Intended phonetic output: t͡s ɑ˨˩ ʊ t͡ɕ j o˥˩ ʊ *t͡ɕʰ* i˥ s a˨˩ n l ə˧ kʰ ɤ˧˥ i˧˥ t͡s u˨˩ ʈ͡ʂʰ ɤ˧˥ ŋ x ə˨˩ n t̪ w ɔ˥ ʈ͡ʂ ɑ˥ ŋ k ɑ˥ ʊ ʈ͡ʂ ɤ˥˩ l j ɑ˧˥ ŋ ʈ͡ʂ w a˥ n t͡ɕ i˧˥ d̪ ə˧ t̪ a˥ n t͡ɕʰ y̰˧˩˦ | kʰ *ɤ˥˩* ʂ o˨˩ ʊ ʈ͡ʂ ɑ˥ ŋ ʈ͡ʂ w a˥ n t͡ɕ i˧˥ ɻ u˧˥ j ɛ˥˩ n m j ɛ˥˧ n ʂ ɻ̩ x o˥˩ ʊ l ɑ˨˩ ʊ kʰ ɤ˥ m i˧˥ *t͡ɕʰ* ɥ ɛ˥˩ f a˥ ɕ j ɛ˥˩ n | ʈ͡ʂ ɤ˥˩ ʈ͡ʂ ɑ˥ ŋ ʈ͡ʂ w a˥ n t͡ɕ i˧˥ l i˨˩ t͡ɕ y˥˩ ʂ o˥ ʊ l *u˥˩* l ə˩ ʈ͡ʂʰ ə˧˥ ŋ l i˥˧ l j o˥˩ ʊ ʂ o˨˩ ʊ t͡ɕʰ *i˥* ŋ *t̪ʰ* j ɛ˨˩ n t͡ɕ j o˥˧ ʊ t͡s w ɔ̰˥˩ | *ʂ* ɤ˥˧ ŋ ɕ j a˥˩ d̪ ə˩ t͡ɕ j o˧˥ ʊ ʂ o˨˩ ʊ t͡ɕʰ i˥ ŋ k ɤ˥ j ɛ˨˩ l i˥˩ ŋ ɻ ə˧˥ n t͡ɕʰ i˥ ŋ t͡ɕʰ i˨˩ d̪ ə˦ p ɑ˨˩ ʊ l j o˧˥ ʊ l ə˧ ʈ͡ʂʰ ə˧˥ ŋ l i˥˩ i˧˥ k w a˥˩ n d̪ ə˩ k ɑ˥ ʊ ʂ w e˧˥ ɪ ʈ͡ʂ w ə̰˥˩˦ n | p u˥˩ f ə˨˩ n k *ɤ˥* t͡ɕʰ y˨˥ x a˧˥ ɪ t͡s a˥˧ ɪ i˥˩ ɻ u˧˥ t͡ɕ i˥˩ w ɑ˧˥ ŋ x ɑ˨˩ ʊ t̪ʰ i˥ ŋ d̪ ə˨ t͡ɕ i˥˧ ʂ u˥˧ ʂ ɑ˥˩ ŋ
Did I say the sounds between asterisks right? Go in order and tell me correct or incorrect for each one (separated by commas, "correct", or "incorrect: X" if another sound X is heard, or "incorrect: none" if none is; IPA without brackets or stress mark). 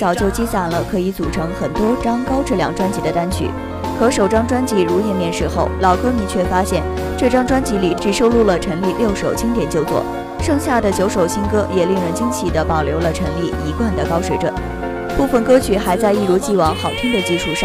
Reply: incorrect: t͡ɕ, incorrect: ɤ˧˥, correct, correct, correct, incorrect: t̪, correct, correct